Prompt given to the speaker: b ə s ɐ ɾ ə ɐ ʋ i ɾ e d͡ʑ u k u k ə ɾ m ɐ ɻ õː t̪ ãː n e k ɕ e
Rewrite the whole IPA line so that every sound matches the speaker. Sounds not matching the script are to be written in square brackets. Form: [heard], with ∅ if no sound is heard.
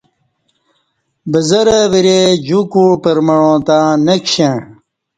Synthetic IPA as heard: b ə [z] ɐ ɾ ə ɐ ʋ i ɾ e d͡ʑ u k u [p] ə ɾ m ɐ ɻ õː t̪ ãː n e k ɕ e